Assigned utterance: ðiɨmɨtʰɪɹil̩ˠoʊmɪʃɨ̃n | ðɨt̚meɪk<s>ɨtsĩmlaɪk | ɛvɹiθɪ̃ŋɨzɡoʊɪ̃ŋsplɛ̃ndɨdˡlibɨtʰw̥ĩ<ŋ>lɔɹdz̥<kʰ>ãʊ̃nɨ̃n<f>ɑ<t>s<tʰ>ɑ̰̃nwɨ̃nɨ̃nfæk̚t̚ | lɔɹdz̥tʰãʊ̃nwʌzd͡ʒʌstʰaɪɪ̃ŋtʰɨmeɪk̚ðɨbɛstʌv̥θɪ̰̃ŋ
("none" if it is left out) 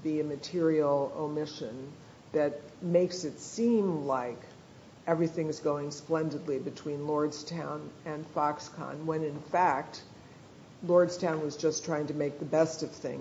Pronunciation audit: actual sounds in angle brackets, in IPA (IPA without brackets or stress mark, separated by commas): s, n, tʰ, f, k, kʰ